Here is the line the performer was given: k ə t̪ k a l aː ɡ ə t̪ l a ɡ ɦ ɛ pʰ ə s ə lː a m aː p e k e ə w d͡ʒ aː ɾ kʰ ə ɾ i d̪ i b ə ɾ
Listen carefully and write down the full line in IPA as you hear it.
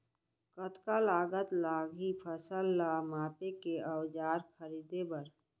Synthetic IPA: k ə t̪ k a l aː ɡ ə t̪ l a ɡ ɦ i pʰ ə s ə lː a m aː p e k e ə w d͡ʒ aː ɾ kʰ ə ɾ i d̪ e b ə ɾ